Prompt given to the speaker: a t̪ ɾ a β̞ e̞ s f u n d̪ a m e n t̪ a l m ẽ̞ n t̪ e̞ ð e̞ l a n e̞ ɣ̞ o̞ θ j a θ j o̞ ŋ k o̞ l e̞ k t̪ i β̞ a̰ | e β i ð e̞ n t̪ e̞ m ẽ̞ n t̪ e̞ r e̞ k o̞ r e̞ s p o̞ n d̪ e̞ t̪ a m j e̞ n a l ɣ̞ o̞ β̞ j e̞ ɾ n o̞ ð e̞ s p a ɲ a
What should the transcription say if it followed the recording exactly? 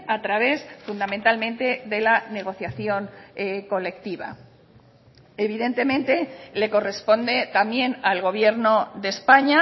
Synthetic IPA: a t̪ ɾ a β̞ e̞ s f u n d̪ a m e n t̪ a l m ẽ̞ n t̪ e̞ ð e̞ l a n e̞ ɣ̞ o̞ θ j a θ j o̞ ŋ k o̞ l e̞ k t̪ i β̞ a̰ | e β i ð e̞ n t̪ e̞ m ẽ̞ n t̪ e̞ l e̞ k o̞ r e̞ s p o̞ n d̪ e̞ t̪ a m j e̞ n a l ɣ̞ o̞ β̞ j e̞ ɾ n o̞ ð e̞ s p a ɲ a

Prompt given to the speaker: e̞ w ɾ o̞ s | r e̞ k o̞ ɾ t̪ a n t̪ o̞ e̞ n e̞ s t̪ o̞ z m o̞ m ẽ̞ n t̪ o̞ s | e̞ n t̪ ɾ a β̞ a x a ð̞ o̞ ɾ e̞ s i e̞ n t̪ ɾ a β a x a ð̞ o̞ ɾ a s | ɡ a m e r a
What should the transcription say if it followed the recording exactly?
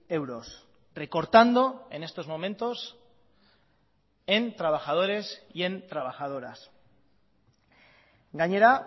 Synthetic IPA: e̞ w ɾ o̞ s | r e̞ k o̞ ɾ t̪ a n d̪ o̞ e̞ n e̞ s t̪ o̞ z m o̞ m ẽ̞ n t̪ o̞ s | e̞ n t̪ ɾ a β̞ a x a ð̞ o̞ ɾ e̞ s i e̞ n t̪ ɾ a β a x a ð̞ o̞ ɾ a s | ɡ a ɲ e ɾ a

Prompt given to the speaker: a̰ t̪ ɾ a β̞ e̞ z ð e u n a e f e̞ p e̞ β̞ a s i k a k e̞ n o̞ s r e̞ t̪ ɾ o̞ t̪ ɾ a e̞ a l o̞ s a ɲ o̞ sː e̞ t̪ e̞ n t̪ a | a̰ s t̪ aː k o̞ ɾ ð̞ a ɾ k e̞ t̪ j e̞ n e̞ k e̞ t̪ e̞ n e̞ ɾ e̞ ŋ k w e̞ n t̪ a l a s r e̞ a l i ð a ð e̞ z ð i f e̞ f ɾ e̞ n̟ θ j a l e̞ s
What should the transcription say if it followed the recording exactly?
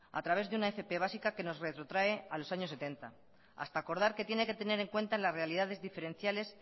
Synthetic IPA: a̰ t̪ ɾ a β̞ e̞ z ð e u n a e f e̞ p e̞ β̞ a s i k a k e̞ n o̞ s r e̞ t̪ ɾ o̞ t̪ ɾ a e̞ a l o̞ s a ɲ o̞ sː e̞ t̪ e̞ n t̪ a | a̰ s t̪ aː k o̞ ɾ ð̞ a ɾ k e̞ t̪ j e̞ n e̞ k e̞ t̪ e̞ n e̞ ɾ e̞ ŋ k w e̞ n t̪ a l a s r e̞ a l i ð a ð e̞ z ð i f e̞ ɾ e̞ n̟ θ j a l e̞ s

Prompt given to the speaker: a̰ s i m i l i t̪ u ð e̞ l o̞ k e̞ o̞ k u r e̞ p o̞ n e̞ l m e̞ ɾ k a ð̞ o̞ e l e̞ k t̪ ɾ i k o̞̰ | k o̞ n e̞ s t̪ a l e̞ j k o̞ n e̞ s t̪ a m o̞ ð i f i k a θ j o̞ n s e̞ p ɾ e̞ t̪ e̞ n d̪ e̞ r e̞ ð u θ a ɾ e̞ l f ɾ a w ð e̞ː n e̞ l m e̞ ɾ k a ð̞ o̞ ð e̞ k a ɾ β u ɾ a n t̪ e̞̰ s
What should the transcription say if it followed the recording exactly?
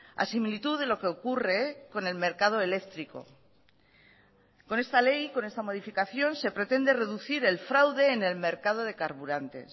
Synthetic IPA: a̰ s i m i l i t̪ u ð e̞ l o̞ k e̞ o̞ k u r e̞ k o̞ n e̞ l m e̞ ɾ k a ð̞ o̞ e l e̞ k t̪ ɾ i k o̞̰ | k o̞ n e̞ s t̪ a l e̞ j k o̞ n e̞ s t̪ a m o̞ ð i f i k a θ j o̞ n s e̞ p ɾ e̞ t̪ e̞ n d̪ e̞ r e̞ ð u θ i ɾ e̞ l f ɾ a w ð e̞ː n e̞ l m e̞ ɾ k a ð̞ o̞ ð e̞ k a ɾ β u ɾ a n t̪ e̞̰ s

